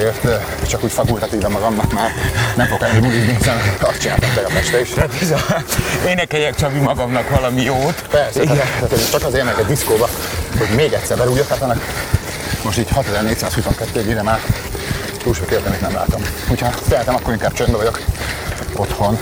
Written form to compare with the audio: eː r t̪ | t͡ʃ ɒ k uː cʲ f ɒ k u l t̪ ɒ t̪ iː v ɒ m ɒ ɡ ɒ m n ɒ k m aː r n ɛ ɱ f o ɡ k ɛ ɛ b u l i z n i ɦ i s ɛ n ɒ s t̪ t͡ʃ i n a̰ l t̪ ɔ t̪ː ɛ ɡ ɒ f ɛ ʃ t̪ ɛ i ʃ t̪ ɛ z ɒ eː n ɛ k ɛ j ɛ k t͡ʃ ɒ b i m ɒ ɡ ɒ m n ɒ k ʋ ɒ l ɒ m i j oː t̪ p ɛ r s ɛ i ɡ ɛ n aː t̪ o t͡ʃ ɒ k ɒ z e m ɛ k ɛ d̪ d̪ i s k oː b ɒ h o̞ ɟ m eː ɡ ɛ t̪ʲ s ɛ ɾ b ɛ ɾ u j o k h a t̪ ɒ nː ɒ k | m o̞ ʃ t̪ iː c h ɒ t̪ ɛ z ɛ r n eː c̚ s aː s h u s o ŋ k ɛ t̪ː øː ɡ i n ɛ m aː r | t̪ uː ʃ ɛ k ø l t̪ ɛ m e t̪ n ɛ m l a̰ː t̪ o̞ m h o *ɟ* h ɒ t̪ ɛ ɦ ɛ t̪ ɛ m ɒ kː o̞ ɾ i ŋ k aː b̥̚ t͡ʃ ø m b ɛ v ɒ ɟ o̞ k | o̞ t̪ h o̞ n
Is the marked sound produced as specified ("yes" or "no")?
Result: no